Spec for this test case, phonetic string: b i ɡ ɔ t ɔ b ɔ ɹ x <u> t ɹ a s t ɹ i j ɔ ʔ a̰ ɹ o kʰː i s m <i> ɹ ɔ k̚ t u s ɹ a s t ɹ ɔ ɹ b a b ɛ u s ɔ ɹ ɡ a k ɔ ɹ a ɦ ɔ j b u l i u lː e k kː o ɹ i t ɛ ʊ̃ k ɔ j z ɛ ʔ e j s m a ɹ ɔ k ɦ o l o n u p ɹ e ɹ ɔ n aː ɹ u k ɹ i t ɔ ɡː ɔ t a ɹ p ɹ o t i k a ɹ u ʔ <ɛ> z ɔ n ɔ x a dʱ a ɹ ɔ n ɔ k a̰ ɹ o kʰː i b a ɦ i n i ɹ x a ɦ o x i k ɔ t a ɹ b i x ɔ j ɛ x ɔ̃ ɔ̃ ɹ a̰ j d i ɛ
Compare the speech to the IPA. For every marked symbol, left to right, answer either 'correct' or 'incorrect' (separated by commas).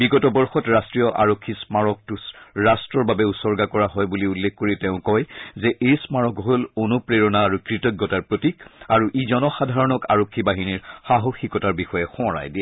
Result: incorrect, incorrect, incorrect